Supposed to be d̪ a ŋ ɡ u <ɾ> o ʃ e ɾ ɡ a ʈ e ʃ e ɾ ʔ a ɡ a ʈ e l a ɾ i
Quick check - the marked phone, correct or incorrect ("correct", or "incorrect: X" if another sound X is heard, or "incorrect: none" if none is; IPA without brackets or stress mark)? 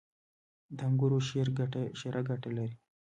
correct